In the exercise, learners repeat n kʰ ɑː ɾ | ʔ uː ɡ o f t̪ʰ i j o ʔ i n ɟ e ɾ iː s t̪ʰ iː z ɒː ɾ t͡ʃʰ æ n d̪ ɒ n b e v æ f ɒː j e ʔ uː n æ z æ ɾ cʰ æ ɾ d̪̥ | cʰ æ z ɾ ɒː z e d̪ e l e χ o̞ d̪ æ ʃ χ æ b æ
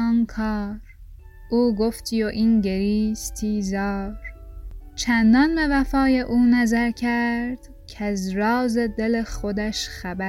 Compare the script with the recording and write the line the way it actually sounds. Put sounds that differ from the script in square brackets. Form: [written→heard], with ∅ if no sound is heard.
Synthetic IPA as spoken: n kʰ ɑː ɾ | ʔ uː ɡ o f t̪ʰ i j o ʔ i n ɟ e ɾ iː s t̪ʰ iː z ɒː ɾ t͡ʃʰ æ n d̪ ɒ n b e v æ f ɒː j e ʔ uː n æ z æ ɾ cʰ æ ɾ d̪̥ | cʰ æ z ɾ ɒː z e d̪ e l e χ o̞ d̪ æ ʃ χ æ b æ